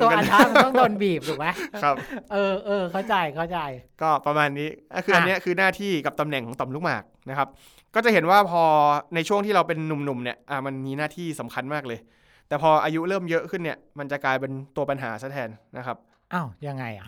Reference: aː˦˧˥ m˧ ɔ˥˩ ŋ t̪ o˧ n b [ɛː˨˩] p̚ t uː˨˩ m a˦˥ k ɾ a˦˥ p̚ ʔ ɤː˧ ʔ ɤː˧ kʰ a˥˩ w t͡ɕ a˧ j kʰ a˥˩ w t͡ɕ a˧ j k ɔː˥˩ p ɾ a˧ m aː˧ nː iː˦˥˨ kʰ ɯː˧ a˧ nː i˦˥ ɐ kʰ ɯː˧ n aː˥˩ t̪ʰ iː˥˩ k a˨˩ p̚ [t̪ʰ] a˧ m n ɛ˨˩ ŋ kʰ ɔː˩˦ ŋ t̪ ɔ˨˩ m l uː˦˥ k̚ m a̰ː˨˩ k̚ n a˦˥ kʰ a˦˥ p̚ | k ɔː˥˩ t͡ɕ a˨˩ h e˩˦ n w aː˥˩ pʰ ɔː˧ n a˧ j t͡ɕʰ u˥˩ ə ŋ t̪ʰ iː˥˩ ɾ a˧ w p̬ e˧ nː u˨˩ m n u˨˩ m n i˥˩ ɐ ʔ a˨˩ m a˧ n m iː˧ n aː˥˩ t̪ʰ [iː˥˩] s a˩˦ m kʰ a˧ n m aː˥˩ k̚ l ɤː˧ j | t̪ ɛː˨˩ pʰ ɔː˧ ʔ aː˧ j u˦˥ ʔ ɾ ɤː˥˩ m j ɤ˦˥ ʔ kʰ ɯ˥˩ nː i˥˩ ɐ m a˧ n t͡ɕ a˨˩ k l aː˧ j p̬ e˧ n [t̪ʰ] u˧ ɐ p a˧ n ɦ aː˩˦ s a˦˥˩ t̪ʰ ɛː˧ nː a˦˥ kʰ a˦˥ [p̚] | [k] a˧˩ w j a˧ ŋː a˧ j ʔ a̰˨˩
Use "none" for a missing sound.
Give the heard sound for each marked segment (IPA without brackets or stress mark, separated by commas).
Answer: iː˨˩, t̪, iː˥˩, t̪, p̚, ʔ